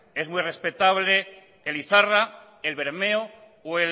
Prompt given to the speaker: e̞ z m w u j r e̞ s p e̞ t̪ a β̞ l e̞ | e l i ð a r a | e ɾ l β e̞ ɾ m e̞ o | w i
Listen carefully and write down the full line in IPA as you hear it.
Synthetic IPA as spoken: e̞ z m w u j r e̞ s p e̞ t̪ a β̞ l e̞ | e l i θ a r a | e l β e̞ ɾ m e̞ o | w e